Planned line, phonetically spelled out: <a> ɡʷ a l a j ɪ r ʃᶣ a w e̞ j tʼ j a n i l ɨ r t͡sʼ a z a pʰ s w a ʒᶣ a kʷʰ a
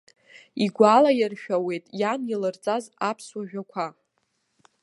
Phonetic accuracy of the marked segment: incorrect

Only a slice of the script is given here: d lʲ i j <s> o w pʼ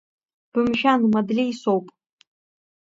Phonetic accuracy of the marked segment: correct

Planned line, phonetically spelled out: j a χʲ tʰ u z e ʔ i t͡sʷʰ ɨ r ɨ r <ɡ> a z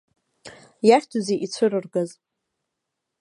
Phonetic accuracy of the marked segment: correct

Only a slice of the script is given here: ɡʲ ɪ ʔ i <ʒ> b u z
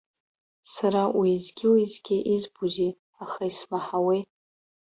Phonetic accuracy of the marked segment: incorrect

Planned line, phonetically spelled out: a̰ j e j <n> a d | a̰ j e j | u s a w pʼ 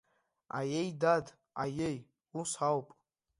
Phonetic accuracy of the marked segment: incorrect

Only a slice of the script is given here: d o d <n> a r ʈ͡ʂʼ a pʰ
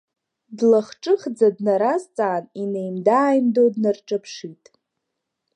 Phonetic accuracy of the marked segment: correct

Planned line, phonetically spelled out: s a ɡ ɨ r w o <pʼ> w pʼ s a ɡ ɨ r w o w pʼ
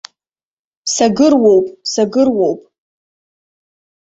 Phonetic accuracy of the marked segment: incorrect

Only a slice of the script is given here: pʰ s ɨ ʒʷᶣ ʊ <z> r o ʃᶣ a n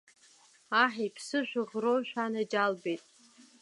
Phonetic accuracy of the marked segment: incorrect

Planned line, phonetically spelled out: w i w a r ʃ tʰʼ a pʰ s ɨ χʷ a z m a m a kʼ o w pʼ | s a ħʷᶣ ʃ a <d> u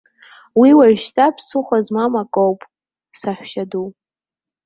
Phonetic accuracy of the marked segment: correct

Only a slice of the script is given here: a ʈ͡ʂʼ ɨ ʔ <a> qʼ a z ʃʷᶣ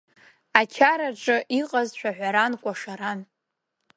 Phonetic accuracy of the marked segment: incorrect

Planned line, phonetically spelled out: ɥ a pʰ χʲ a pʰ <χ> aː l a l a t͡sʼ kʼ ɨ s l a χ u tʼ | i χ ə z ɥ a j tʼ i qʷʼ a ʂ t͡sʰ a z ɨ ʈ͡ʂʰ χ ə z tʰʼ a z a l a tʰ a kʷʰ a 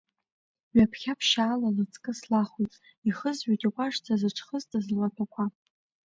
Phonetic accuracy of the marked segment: incorrect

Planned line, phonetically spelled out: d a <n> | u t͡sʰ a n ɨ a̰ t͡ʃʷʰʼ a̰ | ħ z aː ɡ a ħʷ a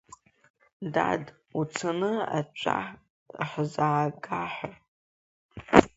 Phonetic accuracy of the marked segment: incorrect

